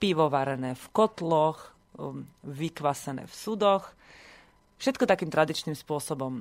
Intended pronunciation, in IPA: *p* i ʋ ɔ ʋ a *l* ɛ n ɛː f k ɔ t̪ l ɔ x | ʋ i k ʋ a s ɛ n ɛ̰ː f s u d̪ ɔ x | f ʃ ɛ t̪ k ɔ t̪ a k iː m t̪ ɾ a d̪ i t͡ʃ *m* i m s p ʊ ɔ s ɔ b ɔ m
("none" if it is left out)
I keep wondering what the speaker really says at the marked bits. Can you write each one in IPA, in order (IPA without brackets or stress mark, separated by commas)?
p, ɾ, n